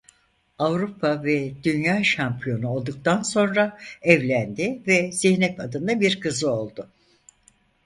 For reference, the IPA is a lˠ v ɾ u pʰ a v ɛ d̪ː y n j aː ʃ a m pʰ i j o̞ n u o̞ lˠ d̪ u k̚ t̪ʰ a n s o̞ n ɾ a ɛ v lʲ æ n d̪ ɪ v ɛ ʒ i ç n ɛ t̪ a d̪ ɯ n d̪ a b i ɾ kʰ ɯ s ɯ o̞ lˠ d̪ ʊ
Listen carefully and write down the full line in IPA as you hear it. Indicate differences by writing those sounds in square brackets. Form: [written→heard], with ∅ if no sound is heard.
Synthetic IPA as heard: a [lˠ→∅] v ɾ u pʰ a v ɛ [d̪ː→d̪] y n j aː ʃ a m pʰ i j o̞ n u o̞ lˠ d̪ u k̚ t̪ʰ a n s o̞ n ɾ a ɛ v lʲ æ n d̪ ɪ v ɛ [ʒ→z] i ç n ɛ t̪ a d̪ ɯ n d̪ a b i ɾ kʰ ɯ [s→z] ɯ o̞ lˠ d̪ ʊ